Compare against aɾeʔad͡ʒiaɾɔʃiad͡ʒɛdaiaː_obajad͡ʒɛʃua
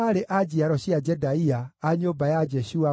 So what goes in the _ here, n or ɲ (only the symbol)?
ɲ